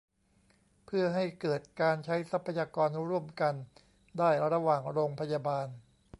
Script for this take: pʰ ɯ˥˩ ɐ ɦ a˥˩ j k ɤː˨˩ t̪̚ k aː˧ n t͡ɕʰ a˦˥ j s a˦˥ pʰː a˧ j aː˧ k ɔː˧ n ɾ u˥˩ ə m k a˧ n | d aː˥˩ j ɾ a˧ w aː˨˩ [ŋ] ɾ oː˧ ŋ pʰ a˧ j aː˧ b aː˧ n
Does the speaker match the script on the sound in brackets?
yes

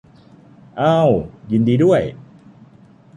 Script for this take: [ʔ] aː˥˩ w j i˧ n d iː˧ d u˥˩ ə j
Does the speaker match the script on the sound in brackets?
yes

